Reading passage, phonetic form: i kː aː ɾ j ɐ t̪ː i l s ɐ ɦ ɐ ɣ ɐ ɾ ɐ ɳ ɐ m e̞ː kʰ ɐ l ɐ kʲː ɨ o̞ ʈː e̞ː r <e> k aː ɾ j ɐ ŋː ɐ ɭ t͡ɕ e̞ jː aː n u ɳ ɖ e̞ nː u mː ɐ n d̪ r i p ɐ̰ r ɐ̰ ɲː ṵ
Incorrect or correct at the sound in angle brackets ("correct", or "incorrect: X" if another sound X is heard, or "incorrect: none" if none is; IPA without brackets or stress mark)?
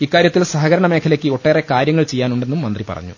correct